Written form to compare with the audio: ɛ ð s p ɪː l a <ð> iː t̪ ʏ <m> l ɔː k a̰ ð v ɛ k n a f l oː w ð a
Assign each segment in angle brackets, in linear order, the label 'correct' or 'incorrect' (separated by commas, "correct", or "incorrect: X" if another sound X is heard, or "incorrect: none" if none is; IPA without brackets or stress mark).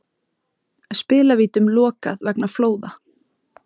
incorrect: v, correct